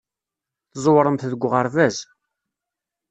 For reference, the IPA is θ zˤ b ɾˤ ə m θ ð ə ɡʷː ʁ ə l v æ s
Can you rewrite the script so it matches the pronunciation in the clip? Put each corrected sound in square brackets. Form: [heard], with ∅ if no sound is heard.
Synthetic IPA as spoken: θ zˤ [w] ɾˤ ə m θ ð ə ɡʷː ʁ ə [ɾ] v æ [z]